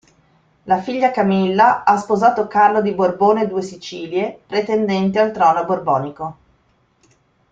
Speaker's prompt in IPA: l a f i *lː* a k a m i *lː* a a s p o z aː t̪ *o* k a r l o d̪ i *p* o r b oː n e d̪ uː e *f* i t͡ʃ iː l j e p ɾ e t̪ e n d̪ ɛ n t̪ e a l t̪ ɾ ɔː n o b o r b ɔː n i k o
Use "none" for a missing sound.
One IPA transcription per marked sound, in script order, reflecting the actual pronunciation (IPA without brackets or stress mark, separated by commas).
ʎː, lː, o, b, s